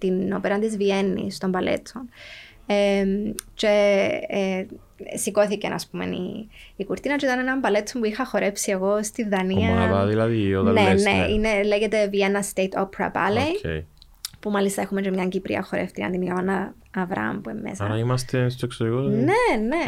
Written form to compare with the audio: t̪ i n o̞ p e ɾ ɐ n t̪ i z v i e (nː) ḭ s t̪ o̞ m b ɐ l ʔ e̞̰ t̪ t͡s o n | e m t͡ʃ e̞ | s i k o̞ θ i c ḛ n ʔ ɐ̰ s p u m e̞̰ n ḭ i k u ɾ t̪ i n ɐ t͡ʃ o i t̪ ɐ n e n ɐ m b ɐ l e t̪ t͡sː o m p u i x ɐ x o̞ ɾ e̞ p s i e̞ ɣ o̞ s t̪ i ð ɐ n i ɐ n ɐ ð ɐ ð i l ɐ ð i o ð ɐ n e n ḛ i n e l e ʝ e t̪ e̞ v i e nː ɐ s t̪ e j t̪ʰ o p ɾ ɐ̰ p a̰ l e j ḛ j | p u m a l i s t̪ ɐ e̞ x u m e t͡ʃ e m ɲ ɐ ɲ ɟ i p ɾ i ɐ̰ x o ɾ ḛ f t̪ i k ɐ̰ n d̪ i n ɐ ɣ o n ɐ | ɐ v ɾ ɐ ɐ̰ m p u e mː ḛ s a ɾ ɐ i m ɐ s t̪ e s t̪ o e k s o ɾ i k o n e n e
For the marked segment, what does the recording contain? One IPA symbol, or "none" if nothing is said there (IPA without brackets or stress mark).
nː